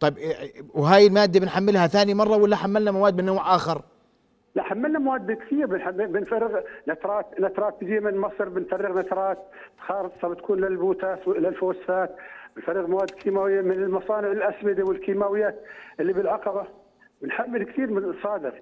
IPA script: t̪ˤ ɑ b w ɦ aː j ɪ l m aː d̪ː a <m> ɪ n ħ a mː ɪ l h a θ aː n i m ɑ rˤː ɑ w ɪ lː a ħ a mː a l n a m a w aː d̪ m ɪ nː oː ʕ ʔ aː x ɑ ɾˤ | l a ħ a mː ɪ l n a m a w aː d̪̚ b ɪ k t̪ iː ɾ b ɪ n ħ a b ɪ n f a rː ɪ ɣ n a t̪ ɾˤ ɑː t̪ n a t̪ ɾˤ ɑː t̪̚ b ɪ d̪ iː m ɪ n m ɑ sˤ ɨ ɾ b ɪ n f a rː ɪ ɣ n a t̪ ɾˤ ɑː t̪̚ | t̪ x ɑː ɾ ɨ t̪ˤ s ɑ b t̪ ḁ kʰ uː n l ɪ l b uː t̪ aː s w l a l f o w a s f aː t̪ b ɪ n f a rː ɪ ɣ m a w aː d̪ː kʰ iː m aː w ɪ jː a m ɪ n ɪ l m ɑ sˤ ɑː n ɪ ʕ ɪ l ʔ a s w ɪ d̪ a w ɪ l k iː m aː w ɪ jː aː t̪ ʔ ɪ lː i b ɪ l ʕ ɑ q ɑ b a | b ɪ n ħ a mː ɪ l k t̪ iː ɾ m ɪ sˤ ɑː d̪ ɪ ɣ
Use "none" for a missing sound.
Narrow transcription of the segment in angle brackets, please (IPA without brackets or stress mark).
b